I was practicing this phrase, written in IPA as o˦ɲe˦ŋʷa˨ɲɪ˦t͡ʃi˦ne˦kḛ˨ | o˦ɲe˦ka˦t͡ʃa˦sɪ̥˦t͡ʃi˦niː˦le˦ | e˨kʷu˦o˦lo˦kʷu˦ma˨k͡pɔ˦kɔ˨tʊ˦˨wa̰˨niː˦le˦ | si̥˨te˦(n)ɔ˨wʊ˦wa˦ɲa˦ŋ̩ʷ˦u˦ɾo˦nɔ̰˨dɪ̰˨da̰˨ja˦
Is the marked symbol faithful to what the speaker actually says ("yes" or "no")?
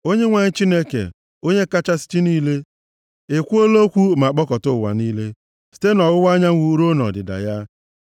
yes